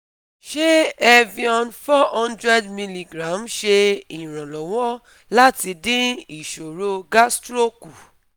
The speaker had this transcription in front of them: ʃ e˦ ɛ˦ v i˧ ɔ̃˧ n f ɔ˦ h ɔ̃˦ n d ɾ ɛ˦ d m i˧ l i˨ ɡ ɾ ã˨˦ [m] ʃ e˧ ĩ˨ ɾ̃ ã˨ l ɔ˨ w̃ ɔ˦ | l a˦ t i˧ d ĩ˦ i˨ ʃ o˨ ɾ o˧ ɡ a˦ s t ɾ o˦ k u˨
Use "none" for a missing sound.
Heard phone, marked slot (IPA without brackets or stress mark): m